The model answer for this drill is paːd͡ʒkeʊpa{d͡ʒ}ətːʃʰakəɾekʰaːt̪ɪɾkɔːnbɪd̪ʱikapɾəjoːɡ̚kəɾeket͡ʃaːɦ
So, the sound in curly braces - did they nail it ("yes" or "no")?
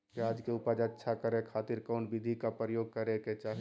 yes